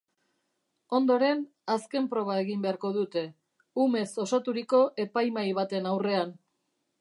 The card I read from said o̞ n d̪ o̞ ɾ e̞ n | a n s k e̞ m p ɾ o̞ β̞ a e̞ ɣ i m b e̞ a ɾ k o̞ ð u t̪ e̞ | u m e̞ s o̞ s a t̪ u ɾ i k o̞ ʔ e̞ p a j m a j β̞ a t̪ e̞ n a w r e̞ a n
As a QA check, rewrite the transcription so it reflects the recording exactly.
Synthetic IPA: o̞ n d̪ o̞ ɾ e̞ n | a s k e̞ m p ɾ o̞ β̞ a e̞ ɣ i m b e̞ a ɾ k o̞ ð u t̪ e̞ | u m e̞ s o̞ s a t̪ u ɾ i k o̞ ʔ e̞ p a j m a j β̞ a t̪ e̞ n a w r e̞ a n